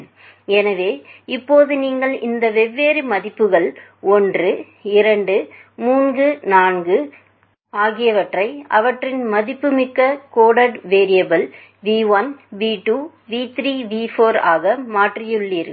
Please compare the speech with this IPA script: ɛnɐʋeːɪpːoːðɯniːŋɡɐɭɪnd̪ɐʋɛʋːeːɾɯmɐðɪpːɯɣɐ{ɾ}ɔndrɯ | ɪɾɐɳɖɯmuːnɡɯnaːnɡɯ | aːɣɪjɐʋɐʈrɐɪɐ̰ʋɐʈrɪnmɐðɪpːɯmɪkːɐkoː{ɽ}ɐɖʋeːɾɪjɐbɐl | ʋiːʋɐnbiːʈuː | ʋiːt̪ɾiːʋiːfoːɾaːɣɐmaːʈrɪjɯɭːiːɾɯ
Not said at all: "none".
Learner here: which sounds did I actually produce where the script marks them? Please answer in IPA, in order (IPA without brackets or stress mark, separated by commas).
ɭ, ɽ